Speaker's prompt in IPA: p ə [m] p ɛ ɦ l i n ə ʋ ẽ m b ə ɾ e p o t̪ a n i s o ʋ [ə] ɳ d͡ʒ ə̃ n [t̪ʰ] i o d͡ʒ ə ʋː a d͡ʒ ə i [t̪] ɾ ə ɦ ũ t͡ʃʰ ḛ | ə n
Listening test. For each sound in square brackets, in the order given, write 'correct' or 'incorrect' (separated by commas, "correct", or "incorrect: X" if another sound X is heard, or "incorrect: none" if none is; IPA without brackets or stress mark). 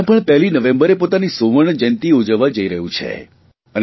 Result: incorrect: ɳ, correct, incorrect: t̪, incorrect: none